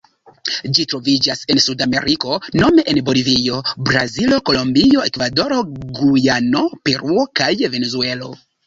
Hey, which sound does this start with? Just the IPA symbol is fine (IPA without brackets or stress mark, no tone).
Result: d͡ʒ